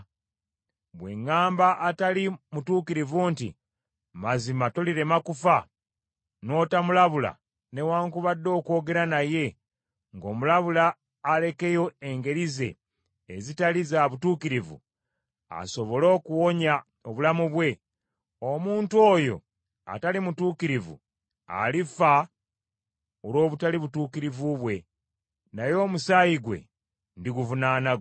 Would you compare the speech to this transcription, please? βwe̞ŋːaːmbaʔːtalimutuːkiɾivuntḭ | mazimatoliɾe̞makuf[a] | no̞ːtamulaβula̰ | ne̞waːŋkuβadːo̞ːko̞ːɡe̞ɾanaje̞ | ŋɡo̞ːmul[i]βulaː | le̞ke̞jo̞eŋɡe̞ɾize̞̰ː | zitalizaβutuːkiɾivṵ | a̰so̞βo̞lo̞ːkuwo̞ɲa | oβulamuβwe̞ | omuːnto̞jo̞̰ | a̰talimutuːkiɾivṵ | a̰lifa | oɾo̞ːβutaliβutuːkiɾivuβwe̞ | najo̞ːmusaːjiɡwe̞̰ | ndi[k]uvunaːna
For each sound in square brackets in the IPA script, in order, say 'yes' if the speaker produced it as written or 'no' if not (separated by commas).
yes, no, no